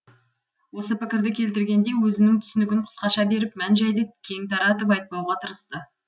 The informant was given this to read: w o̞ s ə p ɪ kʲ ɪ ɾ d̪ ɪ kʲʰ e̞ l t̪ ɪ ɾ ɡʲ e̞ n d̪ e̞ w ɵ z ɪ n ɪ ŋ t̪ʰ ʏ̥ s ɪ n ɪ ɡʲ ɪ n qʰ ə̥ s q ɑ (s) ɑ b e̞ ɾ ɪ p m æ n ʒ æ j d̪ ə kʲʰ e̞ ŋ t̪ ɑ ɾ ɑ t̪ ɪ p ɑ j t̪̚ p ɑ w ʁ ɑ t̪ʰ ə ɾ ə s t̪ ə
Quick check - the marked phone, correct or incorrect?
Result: incorrect